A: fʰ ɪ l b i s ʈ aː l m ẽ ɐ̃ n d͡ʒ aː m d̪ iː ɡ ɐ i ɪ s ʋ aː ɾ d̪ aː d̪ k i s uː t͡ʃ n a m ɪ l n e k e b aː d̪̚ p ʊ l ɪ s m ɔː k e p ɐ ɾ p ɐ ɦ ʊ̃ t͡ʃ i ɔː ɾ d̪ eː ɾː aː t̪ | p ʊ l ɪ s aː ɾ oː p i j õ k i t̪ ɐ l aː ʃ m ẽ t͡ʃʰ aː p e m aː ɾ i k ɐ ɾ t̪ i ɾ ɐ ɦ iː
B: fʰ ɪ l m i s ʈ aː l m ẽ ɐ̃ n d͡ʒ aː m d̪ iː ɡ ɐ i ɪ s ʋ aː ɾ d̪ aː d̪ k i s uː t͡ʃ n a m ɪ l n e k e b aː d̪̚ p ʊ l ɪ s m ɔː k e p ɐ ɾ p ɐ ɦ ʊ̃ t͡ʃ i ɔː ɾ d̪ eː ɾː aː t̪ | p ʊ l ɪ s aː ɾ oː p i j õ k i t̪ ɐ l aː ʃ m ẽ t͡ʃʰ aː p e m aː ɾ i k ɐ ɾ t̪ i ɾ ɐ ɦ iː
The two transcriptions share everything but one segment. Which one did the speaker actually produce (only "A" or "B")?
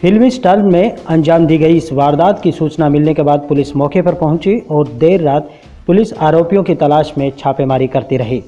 B